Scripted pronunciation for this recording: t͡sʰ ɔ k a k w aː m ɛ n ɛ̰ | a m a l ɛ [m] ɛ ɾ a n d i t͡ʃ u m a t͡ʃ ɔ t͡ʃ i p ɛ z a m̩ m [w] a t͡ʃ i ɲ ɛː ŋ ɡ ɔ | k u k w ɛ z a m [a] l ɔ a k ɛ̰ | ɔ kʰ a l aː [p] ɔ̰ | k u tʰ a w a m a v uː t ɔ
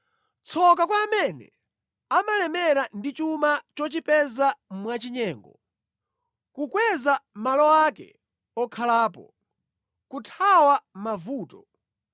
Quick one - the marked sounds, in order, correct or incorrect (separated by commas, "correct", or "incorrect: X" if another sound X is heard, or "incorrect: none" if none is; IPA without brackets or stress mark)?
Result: correct, correct, correct, correct